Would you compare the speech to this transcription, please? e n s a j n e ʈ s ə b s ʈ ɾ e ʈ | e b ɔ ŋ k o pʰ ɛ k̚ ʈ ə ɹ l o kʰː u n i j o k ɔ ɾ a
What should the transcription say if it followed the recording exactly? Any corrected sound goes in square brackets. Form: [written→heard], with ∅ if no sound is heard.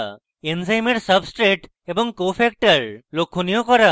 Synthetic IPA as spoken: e n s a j [n→m] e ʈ s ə b s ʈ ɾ e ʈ | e b ɔ ŋ k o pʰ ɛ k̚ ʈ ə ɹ l o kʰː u n i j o k ɔ ɾ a

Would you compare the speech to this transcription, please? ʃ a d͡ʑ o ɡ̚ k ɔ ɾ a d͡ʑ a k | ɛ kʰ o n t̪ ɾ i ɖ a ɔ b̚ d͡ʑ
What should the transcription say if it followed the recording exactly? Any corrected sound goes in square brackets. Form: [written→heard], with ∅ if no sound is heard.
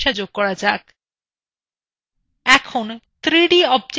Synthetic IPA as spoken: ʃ a d͡ʑ o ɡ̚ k ɔ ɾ a d͡ʑ a k | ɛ kʰ o n t̪ ɾ i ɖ [a→i] ɔ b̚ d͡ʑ

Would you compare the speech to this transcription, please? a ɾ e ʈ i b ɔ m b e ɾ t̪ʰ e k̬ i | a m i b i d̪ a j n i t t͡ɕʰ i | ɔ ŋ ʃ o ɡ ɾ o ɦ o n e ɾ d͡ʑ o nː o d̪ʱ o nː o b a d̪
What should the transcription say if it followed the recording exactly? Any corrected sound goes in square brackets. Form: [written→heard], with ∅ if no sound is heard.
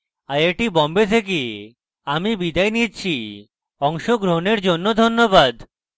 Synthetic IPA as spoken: a ɾ e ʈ i b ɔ m b e [ɾ→∅] t̪ʰ e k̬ i | a m i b i d̪ a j n i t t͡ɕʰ i | ɔ ŋ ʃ o ɡ ɾ o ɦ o n e ɾ d͡ʑ o nː o d̪ʱ o nː o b a d̪

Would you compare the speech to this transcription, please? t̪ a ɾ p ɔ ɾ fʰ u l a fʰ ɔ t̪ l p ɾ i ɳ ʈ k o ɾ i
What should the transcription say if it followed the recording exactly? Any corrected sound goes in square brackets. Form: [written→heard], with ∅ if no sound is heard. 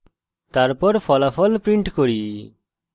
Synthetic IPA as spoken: t̪ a ɾ p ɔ ɾ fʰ [u→ɔ] l a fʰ ɔ [t̪→∅] l p ɾ i ɳ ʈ k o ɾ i

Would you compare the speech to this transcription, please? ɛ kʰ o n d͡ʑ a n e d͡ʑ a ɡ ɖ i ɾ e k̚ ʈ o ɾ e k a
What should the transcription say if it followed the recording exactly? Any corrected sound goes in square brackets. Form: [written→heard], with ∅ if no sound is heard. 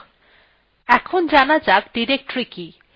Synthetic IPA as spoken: ɛ kʰ o n d͡ʑ a n [e→a] d͡ʑ a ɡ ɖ i ɾ e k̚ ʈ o ɾ [e→i] k [a→i]

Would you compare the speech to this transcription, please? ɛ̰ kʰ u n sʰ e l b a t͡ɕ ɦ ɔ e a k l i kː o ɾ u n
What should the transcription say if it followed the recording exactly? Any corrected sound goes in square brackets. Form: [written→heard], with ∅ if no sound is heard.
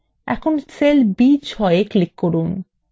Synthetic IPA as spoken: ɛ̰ kʰ [u→o] n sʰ e l b [a→i] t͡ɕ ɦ ɔ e [a→e] k l i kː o ɾ u n

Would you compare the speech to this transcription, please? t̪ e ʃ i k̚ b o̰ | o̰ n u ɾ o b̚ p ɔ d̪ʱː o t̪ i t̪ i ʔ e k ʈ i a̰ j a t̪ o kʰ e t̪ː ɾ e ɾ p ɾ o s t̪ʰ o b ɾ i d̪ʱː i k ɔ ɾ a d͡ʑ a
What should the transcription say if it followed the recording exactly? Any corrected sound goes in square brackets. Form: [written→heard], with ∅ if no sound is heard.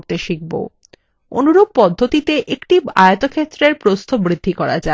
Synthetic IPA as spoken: t̪ e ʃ i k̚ b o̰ | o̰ n u ɾ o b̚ p ɔ d̪ʱː o t̪ i t̪ [i→e] ʔ e k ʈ i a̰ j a t̪ o kʰ e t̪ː ɾ e ɾ p ɾ o s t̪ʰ o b ɾ i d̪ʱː i k ɔ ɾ a d͡ʑ a

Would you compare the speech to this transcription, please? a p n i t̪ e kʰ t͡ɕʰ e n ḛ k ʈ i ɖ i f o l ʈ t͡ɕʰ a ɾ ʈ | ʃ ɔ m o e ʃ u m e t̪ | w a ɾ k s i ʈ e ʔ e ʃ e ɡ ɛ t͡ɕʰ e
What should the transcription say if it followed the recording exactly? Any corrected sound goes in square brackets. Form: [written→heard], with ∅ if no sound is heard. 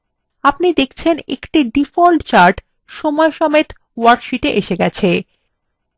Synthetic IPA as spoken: a p n i [t̪→d̪] e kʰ t͡ɕʰ e n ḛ k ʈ i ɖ i f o l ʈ [t͡ɕʰ→t͡ɕ] a ɾ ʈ | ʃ ɔ m [o→ɔ] e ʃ [u→ɔ] m e t̪ | w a ɾ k [s→ʃ] i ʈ e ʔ e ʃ e ɡ ɛ t͡ɕʰ e

